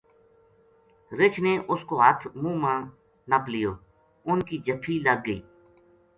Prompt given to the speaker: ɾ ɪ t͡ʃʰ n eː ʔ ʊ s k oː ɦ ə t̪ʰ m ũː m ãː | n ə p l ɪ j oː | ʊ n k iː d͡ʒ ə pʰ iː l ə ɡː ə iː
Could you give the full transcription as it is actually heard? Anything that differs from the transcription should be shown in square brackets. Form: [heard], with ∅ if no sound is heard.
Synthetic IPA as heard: ɾ ɪ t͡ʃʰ n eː ʔ ʊ s k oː ɦ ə t̪ʰ m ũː m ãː | n ə p l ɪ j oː | ʊ n k iː d͡ʒ ə pʰ iː l ə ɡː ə iː